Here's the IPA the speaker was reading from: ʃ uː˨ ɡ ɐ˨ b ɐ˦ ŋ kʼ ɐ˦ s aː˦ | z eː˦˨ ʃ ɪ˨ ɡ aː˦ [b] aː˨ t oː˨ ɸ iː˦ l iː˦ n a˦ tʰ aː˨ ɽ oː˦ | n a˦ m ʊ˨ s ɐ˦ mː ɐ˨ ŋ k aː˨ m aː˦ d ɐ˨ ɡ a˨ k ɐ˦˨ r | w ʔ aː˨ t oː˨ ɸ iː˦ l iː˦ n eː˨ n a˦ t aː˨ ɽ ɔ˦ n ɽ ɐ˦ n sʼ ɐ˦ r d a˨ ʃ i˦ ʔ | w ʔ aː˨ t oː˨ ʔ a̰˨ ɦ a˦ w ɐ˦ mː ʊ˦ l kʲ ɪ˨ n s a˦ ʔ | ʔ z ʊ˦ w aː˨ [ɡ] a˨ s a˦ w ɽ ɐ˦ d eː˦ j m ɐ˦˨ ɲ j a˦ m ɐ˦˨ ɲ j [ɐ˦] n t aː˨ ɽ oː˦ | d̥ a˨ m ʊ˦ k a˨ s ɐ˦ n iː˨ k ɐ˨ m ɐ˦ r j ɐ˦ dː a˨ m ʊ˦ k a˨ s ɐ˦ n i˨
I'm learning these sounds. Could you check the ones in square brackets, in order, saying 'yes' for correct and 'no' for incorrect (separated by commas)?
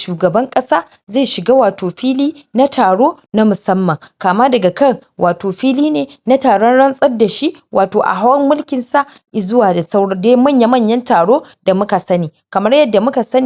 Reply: no, no, yes